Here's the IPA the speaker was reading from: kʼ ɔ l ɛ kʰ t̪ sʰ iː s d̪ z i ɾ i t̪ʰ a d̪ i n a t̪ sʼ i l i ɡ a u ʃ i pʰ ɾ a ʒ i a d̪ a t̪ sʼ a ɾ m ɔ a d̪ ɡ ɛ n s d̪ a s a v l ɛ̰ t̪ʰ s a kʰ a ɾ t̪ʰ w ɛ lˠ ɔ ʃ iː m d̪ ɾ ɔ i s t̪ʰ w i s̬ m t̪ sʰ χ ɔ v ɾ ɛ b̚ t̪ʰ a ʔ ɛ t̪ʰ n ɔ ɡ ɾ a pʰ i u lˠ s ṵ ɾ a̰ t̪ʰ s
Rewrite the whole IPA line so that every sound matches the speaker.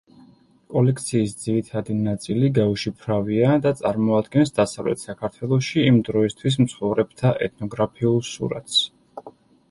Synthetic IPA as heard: kʼ ɔ l ɛ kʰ t̪ sʰ iː s d̪ z i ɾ i t̪ʰ a d̪ i n a t̪ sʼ i l i ɡ a u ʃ i pʰ ɾ a v i a d̪ a t̪ sʼ a ɾ m ɔ a d̪ ɡ ɛ n s d̪ a s a v l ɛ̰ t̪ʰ s a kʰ a ɾ t̪ʰ w ɛ lˠ ɔ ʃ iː m d̪ ɾ ɔ i s t̪ʰ w i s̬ m t̪ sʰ χ ɔ v ɾ ɛ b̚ t̪ʰ a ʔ ɛ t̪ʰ n ɔ ɡ ɾ a pʰ i u lˠ s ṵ ɾ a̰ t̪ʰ s